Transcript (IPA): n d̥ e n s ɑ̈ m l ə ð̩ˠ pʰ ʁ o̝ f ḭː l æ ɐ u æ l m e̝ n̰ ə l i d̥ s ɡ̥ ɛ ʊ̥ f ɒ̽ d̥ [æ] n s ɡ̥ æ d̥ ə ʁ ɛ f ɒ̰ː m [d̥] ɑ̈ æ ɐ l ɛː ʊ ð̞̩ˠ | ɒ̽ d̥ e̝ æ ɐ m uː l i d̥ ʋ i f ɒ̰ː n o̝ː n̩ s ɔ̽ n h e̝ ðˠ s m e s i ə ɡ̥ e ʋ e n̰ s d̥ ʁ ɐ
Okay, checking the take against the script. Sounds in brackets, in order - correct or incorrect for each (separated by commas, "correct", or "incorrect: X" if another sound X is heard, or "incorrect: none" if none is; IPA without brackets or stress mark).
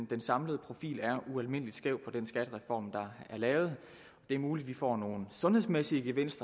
incorrect: e, correct